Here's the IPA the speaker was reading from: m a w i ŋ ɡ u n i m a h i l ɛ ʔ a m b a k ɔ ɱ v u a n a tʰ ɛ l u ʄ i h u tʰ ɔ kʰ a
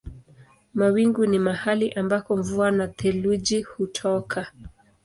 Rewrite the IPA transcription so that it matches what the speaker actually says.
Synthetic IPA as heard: m a w i ŋ ɡ u n i m a h a l i ʔ a m b a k ɔ ɱ v u a n a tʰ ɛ l u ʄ i h u tʰ ɔ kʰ a